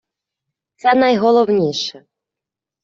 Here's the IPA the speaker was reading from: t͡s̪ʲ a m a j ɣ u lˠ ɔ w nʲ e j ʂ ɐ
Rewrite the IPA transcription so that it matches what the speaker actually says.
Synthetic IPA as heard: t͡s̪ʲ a n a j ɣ ɔ lˠ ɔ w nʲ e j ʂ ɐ